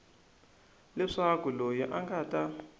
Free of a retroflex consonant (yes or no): no